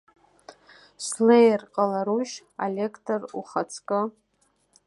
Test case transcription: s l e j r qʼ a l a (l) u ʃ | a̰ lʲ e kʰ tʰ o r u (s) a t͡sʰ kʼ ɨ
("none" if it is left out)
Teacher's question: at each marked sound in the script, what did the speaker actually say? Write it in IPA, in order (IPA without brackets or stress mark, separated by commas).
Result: ɾ, χ